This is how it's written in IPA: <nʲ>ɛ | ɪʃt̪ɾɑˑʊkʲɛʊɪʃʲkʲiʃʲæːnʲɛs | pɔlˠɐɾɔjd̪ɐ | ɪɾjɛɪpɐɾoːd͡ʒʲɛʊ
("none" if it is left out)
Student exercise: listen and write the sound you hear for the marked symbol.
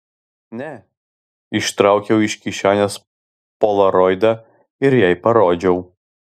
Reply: nʲ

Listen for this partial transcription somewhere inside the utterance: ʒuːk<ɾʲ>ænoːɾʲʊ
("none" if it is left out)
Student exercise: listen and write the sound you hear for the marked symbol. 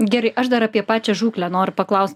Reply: lʲ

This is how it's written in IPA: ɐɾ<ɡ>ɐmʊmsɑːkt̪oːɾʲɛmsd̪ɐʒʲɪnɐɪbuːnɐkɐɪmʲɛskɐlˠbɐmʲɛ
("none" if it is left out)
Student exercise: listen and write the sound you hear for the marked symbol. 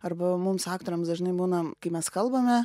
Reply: b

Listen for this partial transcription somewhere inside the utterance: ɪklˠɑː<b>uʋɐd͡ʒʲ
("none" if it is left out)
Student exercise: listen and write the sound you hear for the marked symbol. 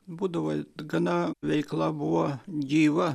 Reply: b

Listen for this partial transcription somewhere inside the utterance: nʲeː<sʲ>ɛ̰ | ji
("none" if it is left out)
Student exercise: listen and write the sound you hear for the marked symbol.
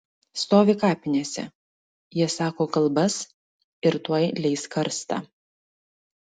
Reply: sʲ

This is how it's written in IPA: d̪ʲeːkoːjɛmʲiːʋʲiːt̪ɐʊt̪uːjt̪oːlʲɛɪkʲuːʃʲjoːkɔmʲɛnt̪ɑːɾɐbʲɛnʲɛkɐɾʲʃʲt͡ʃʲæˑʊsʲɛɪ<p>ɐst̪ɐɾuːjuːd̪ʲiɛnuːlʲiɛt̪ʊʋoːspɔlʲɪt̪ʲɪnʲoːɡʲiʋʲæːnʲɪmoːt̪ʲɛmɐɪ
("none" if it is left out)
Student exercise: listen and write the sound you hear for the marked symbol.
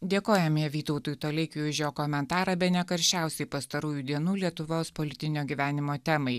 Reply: p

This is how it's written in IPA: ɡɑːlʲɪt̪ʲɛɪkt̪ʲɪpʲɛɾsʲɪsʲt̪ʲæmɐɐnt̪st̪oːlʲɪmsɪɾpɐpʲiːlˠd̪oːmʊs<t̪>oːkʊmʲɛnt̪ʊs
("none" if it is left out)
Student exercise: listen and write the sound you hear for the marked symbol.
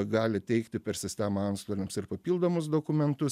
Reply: d̪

